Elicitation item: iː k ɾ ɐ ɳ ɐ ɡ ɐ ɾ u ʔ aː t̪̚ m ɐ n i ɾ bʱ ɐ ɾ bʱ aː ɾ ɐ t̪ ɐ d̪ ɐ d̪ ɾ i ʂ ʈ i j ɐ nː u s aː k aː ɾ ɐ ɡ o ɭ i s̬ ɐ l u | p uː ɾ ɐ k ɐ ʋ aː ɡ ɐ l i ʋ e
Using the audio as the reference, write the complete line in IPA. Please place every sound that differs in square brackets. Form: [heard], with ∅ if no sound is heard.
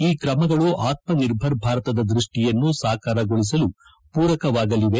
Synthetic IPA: iː k ɾ ɐ [m] ɐ ɡ ɐ [ɭ] u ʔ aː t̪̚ m ɐ n i ɾ bʱ ɐ ɾ bʱ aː ɾ ɐ t̪ ɐ d̪ ɐ d̪ ɾ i ʂ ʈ i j ɐ nː u s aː k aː ɾ ɐ ɡ o ɭ i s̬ ɐ l u | p uː ɾ ɐ k ɐ ʋ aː ɡ ɐ l i ʋ e